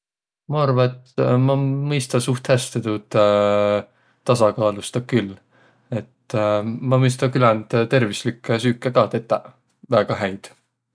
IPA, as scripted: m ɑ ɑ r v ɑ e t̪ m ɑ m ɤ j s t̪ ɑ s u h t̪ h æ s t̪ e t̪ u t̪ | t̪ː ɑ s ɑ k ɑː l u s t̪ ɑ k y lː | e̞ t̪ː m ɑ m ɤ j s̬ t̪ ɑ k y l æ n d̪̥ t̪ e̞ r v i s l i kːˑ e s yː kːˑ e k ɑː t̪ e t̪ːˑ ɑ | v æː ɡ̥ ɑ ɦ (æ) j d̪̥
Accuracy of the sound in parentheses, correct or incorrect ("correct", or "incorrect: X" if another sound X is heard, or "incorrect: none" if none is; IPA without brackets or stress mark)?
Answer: correct